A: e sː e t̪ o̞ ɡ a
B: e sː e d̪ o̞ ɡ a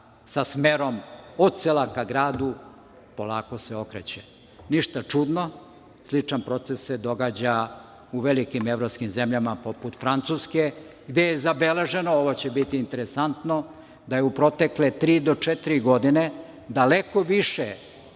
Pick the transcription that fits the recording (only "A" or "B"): B